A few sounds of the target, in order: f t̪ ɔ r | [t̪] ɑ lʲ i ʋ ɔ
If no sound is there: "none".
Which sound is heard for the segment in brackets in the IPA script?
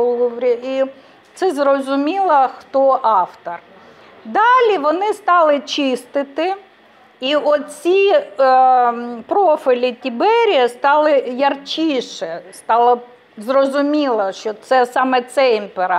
d̪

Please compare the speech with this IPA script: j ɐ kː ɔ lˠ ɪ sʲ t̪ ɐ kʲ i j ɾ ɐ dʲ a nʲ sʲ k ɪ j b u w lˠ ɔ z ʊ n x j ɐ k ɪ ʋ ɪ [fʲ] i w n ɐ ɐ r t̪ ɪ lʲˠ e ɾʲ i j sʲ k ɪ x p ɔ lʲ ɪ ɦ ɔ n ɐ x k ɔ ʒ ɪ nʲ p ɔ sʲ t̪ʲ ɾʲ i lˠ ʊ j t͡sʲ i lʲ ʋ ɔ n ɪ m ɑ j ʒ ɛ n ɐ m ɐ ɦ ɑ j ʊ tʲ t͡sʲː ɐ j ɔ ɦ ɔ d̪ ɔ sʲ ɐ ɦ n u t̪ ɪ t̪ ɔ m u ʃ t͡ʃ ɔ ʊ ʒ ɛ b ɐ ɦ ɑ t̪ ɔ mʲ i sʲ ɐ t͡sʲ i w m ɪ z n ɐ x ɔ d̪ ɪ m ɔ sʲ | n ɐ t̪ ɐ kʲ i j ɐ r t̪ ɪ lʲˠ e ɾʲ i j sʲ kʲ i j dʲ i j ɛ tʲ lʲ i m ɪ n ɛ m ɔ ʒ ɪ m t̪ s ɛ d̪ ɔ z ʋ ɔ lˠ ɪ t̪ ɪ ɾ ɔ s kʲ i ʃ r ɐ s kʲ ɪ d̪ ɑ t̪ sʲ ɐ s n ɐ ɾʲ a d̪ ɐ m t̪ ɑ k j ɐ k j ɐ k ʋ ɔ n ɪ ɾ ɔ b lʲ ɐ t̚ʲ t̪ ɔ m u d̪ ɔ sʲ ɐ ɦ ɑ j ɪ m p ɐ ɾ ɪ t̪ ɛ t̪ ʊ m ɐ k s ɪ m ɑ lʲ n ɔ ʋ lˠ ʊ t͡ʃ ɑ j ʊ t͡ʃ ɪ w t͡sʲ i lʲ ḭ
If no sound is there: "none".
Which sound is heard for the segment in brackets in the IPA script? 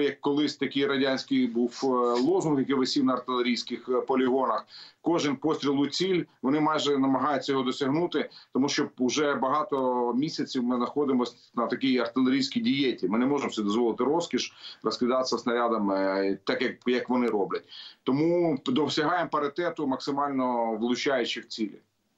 sʲ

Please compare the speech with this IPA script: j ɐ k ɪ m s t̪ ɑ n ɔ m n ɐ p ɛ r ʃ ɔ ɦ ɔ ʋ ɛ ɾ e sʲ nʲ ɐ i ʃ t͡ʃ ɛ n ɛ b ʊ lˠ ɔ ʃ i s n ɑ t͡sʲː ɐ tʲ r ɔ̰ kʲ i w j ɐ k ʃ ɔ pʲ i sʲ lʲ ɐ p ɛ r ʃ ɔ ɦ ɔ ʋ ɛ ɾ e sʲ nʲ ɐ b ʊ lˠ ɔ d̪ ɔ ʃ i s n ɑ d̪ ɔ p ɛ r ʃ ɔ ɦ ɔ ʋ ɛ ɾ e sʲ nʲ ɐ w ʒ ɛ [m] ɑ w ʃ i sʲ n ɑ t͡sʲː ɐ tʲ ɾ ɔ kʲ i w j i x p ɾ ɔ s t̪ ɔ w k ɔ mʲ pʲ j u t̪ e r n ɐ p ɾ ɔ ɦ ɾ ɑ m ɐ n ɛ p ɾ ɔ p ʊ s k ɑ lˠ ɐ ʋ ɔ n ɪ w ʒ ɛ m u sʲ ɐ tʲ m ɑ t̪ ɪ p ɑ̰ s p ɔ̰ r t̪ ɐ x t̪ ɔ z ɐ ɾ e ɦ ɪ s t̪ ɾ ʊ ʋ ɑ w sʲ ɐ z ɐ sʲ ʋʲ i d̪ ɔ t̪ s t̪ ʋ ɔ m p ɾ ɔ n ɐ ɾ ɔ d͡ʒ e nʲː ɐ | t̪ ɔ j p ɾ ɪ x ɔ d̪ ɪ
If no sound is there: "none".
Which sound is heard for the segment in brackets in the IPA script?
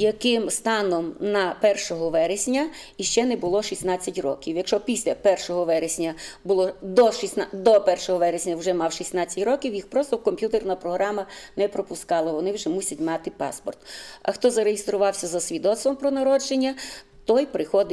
m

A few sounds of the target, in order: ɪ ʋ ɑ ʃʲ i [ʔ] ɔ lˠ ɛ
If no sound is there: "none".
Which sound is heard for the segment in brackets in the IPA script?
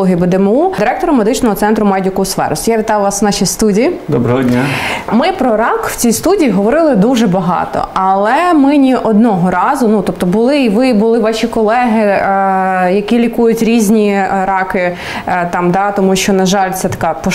k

